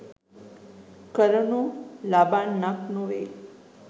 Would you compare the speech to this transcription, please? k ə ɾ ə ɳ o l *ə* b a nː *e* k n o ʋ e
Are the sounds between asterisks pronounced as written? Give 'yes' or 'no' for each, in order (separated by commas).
no, no